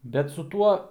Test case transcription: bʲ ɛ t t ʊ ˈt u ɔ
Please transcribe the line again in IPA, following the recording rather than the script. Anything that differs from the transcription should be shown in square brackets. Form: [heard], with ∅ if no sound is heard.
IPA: bʲ ɛ t [s] ʊ ˈt u ɔ

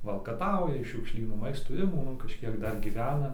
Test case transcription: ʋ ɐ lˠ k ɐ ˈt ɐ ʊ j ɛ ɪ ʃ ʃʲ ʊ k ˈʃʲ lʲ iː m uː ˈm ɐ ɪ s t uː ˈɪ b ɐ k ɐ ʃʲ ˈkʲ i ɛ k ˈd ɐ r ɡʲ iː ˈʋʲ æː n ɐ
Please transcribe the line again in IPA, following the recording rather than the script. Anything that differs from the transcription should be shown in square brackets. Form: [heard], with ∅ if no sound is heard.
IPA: ʋ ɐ lˠ k ɐ ˈt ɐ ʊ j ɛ ɪ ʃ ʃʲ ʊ k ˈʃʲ lʲ iː [n] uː ˈm ɐ ɪ s t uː ˈɪ [m] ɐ k ɐ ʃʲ ˈkʲ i ɛ k ˈd ɐ r ɡʲ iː ˈʋʲ æː n ɐ

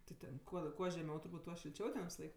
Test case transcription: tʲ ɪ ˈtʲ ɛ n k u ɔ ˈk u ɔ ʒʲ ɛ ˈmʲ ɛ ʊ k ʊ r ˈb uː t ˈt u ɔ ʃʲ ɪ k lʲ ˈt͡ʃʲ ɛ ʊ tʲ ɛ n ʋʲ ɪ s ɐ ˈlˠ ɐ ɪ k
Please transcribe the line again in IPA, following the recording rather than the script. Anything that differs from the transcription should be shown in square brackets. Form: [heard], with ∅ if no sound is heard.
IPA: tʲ ɪ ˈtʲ ɛ n k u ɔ ˈk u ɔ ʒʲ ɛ ˈmʲ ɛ ʊ [t] ʊ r ˈb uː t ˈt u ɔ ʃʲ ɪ [∅] lʲ ˈt͡ʃʲ ɛ ʊ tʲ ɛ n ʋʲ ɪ s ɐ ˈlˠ ɐ ɪ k

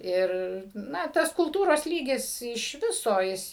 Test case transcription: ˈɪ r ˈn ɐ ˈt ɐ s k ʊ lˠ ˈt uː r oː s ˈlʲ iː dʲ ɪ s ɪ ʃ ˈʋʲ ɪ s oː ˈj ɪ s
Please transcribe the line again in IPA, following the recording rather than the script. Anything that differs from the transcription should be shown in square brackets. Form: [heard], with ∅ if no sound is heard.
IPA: ˈɪ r ˈn ɐ ˈt ɐ s k ʊ lˠ ˈt uː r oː s ˈlʲ iː [ɡʲ] ɪ s ɪ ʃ ˈʋʲ ɪ s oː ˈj ɪ s

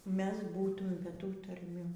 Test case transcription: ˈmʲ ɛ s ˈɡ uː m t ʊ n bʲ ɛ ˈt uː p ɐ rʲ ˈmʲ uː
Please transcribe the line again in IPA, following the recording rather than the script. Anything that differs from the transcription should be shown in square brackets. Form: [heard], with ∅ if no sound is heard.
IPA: ˈmʲ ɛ s [ˈb] uː [∅] t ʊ [m] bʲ ɛ ˈt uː [t] ɐ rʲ ˈmʲ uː

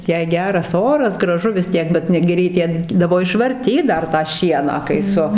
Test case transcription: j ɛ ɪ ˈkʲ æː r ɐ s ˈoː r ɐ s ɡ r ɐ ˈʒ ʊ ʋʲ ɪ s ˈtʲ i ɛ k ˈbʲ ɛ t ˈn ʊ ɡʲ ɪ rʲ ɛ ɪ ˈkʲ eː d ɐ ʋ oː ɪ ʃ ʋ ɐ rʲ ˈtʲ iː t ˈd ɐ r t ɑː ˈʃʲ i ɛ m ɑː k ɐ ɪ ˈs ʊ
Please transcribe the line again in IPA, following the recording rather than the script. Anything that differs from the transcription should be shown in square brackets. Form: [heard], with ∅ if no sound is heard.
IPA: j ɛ ɪ [ˈɡʲ] æː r ɐ s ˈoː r ɐ s ɡ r ɐ ˈʒ ʊ ʋʲ ɪ s ˈtʲ i ɛ k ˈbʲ ɛ t ˈn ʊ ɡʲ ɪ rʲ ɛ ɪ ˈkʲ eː d ɐ ʋ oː ɪ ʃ ʋ ɐ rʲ ˈtʲ iː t ˈd ɐ r t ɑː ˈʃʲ i ɛ [n] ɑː k ɐ ɪ ˈs ʊ

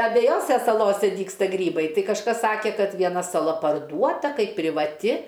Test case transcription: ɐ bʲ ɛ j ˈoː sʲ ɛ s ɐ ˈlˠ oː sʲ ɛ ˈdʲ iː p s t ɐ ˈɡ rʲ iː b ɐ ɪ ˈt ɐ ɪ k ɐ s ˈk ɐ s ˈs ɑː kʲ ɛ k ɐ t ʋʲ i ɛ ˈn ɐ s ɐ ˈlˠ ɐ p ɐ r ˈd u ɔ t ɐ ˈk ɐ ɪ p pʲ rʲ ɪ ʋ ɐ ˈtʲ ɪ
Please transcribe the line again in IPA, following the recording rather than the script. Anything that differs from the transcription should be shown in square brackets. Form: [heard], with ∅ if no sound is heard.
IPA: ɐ bʲ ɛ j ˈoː sʲ ɛ s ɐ ˈlˠ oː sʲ ɛ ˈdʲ iː [k] s t ɐ ˈɡ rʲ iː b ɐ ɪ ˈt ɐ ɪ k ɐ [ʃ] ˈk ɐ s ˈs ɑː kʲ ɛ k ɐ t ʋʲ i ɛ ˈn ɐ s ɐ ˈlˠ ɐ p ɐ r ˈd u ɔ t ɐ ˈk ɐ ɪ p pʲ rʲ ɪ ʋ ɐ ˈtʲ ɪ

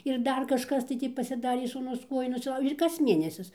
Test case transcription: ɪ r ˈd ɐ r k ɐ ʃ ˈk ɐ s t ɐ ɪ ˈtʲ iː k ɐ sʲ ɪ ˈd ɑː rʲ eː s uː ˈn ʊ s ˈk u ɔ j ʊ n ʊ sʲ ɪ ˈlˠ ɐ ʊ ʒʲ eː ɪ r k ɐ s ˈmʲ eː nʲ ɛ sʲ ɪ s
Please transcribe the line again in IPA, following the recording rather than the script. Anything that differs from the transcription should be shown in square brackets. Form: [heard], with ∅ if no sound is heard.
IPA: ɪ r ˈd ɐ r k ɐ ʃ ˈk ɐ s t ɐ ɪ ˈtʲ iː [p] ɐ sʲ ɪ ˈd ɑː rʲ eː s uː ˈn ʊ s ˈk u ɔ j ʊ n ʊ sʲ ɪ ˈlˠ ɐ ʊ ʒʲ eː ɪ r k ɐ s ˈmʲ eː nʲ ɛ sʲ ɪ s

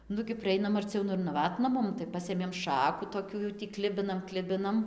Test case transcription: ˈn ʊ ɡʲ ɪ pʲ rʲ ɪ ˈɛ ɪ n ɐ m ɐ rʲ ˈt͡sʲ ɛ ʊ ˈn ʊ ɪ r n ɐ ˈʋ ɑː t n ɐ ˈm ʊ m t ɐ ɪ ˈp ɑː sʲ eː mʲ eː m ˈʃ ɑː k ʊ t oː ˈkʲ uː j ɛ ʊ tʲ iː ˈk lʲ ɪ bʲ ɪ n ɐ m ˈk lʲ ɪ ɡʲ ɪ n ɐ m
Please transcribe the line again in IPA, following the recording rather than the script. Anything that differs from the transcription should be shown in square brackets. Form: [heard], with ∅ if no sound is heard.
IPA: ˈn ʊ ɡʲ ɪ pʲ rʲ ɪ ˈɛ ɪ n ɐ m ɐ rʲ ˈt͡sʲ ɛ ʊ ˈn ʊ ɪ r n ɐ ˈʋ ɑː t n ɐ ˈm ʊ m t ɐ ɪ ˈp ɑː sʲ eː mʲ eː m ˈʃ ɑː k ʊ t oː ˈkʲ uː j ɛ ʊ tʲ iː ˈk lʲ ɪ bʲ ɪ n ɐ m ˈk lʲ ɪ [bʲ] ɪ n ɐ m

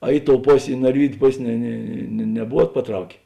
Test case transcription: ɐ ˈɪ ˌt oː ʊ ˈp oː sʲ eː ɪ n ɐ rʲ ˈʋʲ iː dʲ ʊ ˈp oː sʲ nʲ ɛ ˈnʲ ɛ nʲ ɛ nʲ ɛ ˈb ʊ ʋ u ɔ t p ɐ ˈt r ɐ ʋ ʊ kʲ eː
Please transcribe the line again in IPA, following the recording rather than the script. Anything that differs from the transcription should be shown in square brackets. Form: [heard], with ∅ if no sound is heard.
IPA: ɐ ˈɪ ˌt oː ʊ ˈp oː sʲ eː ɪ n ɐ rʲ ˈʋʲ iː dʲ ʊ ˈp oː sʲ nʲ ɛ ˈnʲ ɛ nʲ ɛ nʲ ɛ ˈb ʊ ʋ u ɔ t p ɐ ˈt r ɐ [∅] ʊ kʲ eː

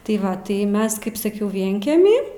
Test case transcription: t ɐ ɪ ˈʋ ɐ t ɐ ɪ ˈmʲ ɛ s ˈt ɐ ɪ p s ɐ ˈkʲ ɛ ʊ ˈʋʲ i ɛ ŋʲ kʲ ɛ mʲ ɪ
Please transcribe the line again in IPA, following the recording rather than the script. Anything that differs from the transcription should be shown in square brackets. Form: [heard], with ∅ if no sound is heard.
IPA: t ɐ ɪ ˈʋ ɐ t ɐ ɪ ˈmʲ ɛ s [ˈk] ɐ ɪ p s ɐ ˈkʲ ɛ ʊ ˈʋʲ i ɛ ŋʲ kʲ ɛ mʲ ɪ

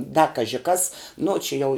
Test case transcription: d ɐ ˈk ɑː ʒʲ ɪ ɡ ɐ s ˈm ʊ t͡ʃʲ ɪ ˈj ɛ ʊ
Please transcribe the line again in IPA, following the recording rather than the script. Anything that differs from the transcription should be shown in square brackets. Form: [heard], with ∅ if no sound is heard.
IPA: d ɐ ˈk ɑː ʒʲ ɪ [k] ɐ s [ˈn] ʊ t͡ʃʲ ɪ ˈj ɛ ʊ

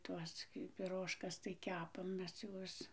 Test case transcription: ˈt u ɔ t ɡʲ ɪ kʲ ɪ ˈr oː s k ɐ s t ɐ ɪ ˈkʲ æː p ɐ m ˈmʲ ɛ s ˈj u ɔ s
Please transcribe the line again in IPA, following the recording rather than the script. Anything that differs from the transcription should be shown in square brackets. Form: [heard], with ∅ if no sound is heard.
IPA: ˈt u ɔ [s] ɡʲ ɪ [pʲ] ɪ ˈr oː [ʃ] k ɐ s t ɐ ɪ ˈkʲ æː p ɐ m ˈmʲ ɛ s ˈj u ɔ s

